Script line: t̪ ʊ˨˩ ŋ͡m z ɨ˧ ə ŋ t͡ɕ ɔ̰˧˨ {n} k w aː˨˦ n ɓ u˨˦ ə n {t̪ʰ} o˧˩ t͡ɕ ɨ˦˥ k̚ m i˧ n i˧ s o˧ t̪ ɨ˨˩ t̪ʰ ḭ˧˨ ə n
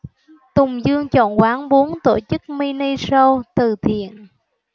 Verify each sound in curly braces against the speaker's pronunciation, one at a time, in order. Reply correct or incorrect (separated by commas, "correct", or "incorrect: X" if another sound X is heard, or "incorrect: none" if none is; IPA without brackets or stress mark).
correct, incorrect: t̪